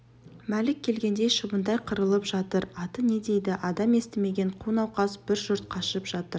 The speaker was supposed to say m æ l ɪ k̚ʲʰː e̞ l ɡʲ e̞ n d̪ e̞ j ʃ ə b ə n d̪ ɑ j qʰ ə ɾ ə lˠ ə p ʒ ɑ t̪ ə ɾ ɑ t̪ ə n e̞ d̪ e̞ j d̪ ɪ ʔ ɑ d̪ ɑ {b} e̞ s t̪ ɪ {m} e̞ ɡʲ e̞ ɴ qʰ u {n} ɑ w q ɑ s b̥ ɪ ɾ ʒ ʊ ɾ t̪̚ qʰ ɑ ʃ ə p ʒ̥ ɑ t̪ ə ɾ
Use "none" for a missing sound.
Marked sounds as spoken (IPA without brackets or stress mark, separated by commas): m, m, n